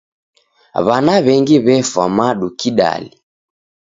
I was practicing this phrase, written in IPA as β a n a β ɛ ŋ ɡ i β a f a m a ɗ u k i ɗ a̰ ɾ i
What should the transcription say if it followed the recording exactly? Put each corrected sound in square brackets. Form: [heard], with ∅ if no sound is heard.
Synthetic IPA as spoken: β a n a β ɛ ŋ ɡ i β [ɛ] f a m a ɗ u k i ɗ a̰ [l] i